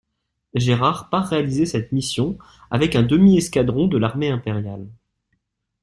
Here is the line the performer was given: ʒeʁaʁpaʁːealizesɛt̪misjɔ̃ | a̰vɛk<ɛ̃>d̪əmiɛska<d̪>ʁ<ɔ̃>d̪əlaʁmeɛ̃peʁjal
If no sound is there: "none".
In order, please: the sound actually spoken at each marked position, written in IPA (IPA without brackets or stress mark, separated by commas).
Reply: ɛ̃, d̪, ɔ̃